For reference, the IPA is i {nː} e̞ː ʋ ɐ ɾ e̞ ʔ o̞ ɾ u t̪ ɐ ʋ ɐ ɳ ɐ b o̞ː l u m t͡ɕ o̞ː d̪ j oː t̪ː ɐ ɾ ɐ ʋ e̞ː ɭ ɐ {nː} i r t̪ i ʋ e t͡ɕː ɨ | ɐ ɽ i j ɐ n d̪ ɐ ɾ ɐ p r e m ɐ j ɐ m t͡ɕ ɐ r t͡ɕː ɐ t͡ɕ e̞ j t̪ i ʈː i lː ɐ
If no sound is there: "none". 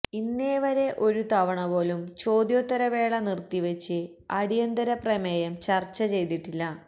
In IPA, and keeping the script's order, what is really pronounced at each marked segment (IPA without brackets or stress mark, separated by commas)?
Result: nː, n